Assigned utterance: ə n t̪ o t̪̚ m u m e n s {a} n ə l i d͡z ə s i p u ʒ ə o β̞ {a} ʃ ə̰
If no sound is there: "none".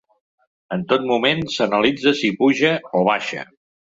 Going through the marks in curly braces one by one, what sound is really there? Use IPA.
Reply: ə, a

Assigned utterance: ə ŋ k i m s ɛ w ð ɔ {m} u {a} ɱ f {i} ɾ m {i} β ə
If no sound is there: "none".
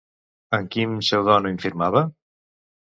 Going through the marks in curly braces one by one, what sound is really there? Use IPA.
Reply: n, i, i, a

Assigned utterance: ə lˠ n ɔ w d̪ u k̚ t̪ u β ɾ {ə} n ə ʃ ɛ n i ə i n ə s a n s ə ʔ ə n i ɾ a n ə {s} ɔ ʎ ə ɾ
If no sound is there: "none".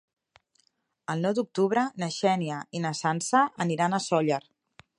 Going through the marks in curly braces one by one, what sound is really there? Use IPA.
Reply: ə, s

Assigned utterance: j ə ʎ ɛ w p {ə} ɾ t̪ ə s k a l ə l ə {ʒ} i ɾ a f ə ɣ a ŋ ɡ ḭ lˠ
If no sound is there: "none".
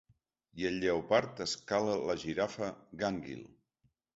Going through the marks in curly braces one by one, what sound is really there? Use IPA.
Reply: a, ʒ

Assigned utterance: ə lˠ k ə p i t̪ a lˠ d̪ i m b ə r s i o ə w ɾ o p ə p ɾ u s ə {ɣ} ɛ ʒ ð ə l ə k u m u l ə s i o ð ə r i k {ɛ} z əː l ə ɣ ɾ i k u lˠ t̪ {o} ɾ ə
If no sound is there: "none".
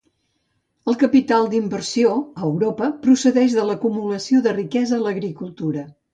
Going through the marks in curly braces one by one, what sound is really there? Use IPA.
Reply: ð, ɛ, u

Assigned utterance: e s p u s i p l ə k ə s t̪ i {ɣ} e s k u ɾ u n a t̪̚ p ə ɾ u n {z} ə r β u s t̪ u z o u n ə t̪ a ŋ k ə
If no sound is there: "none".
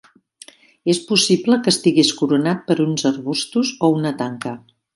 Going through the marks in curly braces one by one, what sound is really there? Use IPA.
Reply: ɣ, z

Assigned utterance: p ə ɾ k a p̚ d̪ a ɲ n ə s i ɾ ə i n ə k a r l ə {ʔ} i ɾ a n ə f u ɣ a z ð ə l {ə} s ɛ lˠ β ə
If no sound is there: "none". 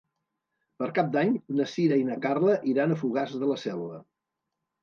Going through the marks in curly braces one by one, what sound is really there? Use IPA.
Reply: ʔ, ə

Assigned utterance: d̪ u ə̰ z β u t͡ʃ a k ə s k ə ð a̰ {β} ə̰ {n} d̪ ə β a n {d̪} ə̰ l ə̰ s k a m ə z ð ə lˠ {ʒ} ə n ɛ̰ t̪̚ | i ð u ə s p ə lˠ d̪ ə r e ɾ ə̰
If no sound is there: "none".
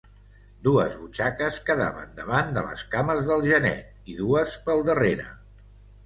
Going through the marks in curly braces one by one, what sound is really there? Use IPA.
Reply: β, n, d̪, ʒ

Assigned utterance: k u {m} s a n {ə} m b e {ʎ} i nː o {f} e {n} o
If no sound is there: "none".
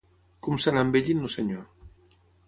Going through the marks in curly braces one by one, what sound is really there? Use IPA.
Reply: m, a, ʎ, s, ɲ

